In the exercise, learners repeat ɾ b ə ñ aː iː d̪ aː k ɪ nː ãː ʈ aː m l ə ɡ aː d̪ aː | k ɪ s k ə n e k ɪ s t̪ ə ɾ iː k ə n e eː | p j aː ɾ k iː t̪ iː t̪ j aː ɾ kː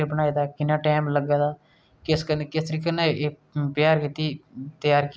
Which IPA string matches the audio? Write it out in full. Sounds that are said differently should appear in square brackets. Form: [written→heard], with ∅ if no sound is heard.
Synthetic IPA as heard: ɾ b ə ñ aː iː d̪ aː k ɪ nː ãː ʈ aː m l ə ɡ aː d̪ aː | k ɪ s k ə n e k ɪ s t̪ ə ɾ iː k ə n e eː | p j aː ɾ k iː t̪ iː t̪ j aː ɾ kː